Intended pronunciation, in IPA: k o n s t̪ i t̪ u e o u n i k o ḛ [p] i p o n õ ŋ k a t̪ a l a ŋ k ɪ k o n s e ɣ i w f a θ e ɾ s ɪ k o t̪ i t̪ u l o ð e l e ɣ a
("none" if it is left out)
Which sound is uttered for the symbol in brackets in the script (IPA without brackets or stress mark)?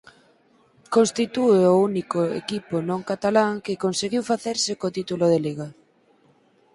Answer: k